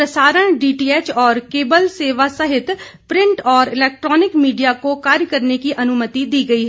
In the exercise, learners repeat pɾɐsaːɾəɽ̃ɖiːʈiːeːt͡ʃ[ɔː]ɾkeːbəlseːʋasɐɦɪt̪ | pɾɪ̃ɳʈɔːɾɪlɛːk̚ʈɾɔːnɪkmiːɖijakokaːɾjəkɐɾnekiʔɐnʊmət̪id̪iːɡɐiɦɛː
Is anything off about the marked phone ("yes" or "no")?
no